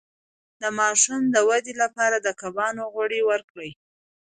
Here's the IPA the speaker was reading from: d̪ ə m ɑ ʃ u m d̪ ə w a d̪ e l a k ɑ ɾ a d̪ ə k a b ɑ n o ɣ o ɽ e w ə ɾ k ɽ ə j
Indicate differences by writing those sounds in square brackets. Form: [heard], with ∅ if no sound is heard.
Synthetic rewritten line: d̪ ə m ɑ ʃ u m d̪ ə w a d̪ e l a [p] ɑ ɾ a d̪ ə k a b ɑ n o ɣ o ɽ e w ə ɾ k ɽ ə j